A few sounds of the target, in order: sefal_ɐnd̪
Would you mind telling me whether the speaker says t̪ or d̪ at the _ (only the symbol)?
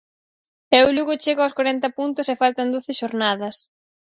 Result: t̪